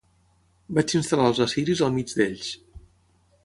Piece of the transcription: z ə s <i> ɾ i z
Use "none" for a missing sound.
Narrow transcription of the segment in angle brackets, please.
i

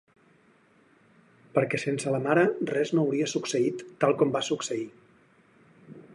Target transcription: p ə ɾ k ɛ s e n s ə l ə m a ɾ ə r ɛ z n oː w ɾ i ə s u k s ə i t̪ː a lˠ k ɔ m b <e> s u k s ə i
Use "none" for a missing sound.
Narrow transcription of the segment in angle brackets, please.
a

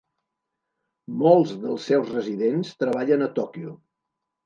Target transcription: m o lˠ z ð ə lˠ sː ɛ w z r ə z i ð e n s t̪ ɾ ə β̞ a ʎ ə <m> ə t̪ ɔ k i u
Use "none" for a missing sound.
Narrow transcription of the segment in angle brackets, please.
n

